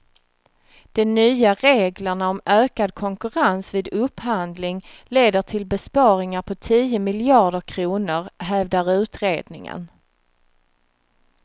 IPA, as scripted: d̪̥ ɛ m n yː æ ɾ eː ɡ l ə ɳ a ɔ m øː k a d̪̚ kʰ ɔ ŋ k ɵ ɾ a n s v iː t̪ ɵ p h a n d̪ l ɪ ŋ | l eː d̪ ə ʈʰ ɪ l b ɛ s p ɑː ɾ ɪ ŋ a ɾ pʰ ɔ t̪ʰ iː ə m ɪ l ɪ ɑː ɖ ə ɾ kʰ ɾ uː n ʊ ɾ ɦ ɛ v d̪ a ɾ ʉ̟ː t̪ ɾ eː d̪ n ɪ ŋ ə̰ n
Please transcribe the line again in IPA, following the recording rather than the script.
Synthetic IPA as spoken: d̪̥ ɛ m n yː a ɾ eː ɡ l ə ɳ a ɔ m øː k a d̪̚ kʰ ɔ ŋ k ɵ ɾ a n s v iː d̪ ɵ p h a n d̪ l ɪ ŋ | l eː d̪ ə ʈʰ ɪ l b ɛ s p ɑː ɾ ɪ ŋ a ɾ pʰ ɔ t̪ʰ iː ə m ɪ l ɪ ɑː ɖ ə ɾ kʰ ɾ uː n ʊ ɾ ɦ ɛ v d̪ a ɾ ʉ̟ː t̪ ɾ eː d̪ n ɪ ŋ ə̰ n